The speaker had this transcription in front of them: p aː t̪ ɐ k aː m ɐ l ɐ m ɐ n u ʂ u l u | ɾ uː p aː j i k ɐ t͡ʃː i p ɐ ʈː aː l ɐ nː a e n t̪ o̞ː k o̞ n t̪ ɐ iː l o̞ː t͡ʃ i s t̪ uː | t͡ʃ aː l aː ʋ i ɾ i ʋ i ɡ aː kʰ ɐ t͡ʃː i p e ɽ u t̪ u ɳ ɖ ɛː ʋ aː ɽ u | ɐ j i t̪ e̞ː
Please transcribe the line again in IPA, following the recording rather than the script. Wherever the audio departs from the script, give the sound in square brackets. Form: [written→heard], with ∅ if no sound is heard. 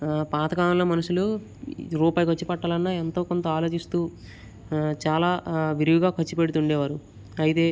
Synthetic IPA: p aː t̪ ɐ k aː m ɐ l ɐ m ɐ n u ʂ u l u | ɾ uː p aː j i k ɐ t͡ʃː i p ɐ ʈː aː l ɐ nː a e n t̪ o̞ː k o̞ n t̪ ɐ [iː→aː] l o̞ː t͡ʃ i s t̪ uː | t͡ʃ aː l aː ʋ i ɾ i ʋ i ɡ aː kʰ ɐ t͡ʃː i p e ɽ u t̪ u ɳ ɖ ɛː ʋ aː [ɽ→ɾ] u | ɐ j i t̪ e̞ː

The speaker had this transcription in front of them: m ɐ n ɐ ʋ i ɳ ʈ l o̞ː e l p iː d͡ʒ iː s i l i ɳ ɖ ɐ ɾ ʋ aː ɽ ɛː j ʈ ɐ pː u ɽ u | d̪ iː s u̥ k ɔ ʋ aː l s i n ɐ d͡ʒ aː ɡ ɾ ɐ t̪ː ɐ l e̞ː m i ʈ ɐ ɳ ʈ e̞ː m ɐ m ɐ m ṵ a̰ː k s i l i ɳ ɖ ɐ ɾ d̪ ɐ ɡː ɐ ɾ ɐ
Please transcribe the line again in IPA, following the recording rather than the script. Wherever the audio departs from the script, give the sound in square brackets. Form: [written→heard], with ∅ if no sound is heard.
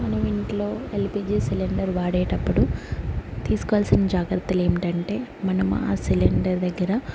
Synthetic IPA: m ɐ n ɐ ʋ i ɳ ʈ l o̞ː e l p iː d͡ʒ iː s i l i ɳ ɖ ɐ ɾ ʋ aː ɽ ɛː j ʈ ɐ pː u ɽ u | [d̪→t̪] iː s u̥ k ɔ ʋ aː l s i n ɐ d͡ʒ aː ɡ ɾ ɐ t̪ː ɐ l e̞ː m i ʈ ɐ ɳ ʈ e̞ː m ɐ [m→n] ɐ m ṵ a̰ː [k→∅] s i l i ɳ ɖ ɐ ɾ d̪ ɐ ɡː ɐ ɾ ɐ

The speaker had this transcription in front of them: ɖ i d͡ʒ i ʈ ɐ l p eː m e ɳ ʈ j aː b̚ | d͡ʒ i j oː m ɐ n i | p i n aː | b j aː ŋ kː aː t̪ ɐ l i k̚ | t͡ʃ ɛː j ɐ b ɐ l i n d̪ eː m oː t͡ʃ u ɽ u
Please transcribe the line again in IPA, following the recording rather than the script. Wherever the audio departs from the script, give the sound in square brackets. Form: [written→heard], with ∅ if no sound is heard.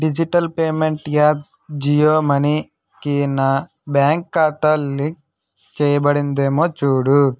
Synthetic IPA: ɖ i d͡ʒ i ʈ ɐ l p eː m e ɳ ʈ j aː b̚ | d͡ʒ i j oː m ɐ n i | [p→k] i n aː | b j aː ŋ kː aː t̪ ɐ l i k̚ | t͡ʃ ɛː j ɐ b ɐ [l→ɽ] i n d̪ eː m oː t͡ʃ [u→uː] ɽ u

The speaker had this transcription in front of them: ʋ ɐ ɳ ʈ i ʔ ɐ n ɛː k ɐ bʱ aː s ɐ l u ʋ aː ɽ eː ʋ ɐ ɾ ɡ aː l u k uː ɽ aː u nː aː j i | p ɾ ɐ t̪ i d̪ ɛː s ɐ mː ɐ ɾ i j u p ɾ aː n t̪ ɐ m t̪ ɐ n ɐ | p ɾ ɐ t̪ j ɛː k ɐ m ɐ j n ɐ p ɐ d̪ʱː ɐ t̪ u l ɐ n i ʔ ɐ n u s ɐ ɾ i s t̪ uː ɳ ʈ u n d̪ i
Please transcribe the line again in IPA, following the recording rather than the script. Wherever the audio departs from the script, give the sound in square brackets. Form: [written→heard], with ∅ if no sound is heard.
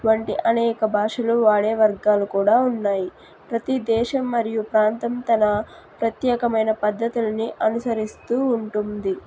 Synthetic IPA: ʋ ɐ ɳ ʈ i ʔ ɐ n ɛː k ɐ bʱ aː [s→ʂ] ɐ l u ʋ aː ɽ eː ʋ ɐ ɾ ɡ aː l u k uː ɽ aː u nː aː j i | p ɾ ɐ t̪ i d̪ ɛː [s→ʃ] ɐ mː ɐ ɾ i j u p ɾ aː n t̪ ɐ m t̪ ɐ n ɐ | p ɾ ɐ t̪ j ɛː k ɐ m ɐ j n ɐ p ɐ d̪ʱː ɐ t̪ u l ɐ n i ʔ ɐ n u s ɐ ɾ i s t̪ uː ɳ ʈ u n d̪ i

